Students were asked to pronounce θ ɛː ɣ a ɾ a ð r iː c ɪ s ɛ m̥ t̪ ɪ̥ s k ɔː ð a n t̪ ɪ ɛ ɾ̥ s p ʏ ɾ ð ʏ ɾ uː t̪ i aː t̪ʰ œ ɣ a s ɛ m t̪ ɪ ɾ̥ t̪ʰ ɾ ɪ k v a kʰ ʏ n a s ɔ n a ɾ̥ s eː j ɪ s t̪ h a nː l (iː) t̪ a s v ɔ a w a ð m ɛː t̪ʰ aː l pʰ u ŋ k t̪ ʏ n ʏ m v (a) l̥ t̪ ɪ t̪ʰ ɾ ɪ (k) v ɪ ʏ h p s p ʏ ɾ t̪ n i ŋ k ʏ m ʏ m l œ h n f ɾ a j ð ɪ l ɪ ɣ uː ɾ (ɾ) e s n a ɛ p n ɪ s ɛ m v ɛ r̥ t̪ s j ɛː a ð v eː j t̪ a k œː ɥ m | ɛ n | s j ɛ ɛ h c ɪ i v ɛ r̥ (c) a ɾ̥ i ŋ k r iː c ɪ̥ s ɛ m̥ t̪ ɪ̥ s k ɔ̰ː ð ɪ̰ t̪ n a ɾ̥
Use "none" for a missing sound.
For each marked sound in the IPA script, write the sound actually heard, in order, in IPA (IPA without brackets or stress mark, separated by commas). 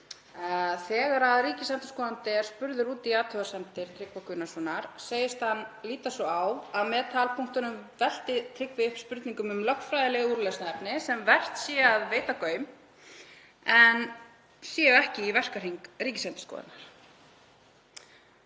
iː, ɛ, k, l, k